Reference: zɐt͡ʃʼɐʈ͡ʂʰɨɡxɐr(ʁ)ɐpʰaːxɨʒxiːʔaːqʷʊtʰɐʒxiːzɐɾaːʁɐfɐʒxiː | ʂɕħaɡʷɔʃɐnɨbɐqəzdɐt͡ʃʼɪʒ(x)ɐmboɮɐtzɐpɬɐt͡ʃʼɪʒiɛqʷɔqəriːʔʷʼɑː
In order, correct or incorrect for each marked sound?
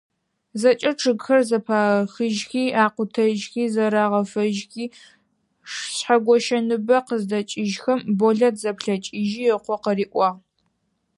incorrect: z, correct

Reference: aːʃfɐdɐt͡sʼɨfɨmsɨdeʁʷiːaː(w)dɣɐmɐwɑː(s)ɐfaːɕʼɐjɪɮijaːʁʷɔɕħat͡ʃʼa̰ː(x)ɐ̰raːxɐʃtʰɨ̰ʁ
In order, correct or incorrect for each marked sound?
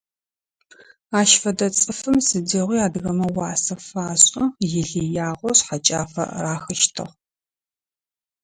incorrect: none, correct, incorrect: f

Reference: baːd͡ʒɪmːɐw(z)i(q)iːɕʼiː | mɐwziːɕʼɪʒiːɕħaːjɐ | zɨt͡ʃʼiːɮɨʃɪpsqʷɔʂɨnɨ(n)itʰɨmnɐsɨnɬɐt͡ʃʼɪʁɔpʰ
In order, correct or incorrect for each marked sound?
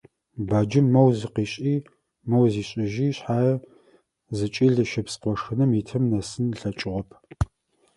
correct, correct, incorrect: m

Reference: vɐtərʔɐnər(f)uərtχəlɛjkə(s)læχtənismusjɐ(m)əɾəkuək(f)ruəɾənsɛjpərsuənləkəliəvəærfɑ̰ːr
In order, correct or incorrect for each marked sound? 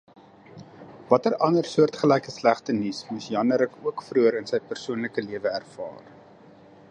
incorrect: s, correct, incorrect: n, correct

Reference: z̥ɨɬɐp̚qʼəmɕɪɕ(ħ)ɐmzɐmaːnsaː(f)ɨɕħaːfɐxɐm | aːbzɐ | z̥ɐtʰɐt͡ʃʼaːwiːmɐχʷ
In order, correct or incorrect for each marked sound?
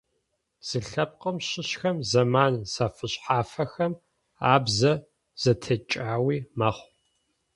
incorrect: x, correct

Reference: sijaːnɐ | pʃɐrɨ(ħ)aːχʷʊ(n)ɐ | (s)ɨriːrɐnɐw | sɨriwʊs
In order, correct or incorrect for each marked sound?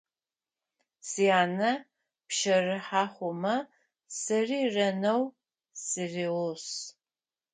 correct, incorrect: m, correct

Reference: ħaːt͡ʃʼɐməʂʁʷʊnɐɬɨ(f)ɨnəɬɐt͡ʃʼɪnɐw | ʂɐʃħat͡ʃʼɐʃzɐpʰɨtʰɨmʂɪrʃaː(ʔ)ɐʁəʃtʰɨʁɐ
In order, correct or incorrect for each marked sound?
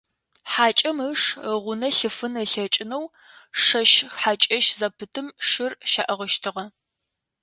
correct, correct

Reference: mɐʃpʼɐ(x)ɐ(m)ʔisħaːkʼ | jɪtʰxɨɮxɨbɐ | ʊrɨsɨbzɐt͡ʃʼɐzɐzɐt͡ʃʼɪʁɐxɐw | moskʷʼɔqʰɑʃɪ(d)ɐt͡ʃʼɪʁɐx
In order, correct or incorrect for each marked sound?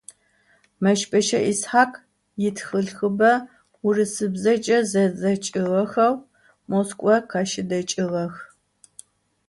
incorrect: ʃ, incorrect: none, correct

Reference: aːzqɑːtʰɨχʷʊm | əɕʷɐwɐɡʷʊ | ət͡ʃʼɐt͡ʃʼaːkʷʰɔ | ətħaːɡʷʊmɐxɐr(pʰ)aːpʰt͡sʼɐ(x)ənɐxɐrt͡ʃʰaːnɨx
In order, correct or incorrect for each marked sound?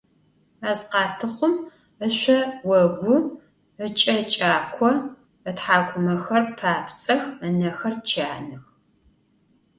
correct, correct

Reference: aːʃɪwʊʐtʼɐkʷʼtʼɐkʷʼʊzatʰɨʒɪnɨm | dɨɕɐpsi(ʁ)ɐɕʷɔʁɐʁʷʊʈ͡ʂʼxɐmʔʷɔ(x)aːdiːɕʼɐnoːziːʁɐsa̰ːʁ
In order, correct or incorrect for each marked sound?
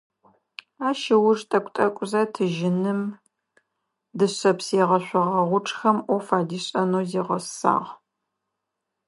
correct, incorrect: f

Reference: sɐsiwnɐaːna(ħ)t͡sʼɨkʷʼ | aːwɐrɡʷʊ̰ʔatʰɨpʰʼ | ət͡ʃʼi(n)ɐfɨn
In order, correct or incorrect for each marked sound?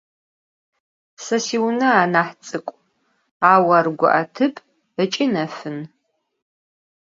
correct, correct

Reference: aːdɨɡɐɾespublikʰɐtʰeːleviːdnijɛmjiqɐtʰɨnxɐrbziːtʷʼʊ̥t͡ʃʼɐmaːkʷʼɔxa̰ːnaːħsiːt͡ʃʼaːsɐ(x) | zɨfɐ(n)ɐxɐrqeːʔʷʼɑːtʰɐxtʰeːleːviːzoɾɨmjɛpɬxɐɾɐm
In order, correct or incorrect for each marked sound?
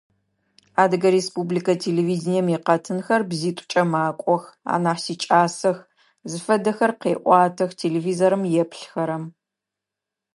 correct, incorrect: d

